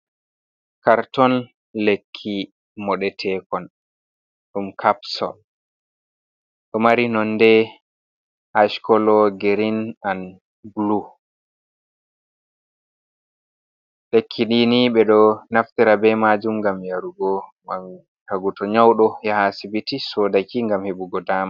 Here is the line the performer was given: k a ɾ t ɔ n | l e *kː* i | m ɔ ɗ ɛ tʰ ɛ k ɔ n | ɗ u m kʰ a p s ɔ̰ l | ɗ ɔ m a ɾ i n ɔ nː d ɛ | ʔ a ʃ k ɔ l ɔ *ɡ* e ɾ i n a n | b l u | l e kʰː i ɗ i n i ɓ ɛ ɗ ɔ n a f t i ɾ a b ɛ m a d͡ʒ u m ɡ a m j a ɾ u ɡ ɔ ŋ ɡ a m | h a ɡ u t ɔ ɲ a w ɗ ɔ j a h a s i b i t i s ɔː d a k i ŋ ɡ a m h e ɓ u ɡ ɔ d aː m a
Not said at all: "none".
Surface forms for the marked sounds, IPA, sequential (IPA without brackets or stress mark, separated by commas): kʰː, ɡ